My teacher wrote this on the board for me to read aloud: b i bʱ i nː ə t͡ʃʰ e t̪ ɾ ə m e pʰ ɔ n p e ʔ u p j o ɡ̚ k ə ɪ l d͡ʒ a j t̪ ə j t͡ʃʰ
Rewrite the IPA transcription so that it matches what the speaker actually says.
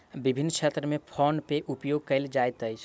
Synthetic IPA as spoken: b i bʱ i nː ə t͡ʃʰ e t̪ ɾ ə m e pʰ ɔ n p e ʔ u p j o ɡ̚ k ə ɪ l d͡ʒ a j t̪ ə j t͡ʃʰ